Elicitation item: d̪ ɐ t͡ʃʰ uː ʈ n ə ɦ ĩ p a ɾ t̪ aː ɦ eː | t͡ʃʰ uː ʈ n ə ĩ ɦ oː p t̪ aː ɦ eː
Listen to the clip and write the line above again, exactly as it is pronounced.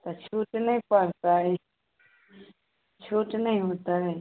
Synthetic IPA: t̪ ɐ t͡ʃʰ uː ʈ n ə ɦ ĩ p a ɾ t̪ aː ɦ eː | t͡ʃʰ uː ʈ n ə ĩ ɦ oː t̪ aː ɦ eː